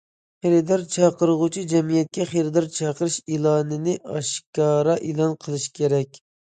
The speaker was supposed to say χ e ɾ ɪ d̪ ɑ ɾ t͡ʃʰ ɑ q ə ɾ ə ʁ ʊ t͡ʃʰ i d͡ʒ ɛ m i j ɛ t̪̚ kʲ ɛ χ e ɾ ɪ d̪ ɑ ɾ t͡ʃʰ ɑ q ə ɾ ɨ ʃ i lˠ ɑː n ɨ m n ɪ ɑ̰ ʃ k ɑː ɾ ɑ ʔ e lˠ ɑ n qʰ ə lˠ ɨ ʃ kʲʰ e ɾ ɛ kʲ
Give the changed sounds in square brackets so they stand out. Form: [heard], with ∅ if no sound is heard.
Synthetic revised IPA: χ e ɾ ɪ d̪ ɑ ɾ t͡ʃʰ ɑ q ə ɾ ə ʁ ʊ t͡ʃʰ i d͡ʒ ɛ m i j ɛ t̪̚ kʲ ɛ χ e ɾ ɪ d̪ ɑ ɾ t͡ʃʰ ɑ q ə ɾ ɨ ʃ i lˠ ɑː n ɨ [∅] n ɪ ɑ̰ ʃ k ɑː ɾ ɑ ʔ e lˠ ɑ n qʰ ə lˠ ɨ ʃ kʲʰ e ɾ ɛ kʲ